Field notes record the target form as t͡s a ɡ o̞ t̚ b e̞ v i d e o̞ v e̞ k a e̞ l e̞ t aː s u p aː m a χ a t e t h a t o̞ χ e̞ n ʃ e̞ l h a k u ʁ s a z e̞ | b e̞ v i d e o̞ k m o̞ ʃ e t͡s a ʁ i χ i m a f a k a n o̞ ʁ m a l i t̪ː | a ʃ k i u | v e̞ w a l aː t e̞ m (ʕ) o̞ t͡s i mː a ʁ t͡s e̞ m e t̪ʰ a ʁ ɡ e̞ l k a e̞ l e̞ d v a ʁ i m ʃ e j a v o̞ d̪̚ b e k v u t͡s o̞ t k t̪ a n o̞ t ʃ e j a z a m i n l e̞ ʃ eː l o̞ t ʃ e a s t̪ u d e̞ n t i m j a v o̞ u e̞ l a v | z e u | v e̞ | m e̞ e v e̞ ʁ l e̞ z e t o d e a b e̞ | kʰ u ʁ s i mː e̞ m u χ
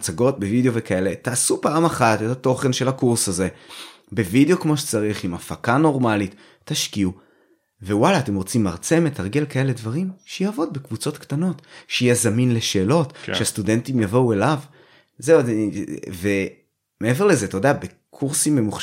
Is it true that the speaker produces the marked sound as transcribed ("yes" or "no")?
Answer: no